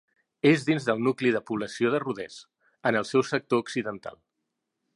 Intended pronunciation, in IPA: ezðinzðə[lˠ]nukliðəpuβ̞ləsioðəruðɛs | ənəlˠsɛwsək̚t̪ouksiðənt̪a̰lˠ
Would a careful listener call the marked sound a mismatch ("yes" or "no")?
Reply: no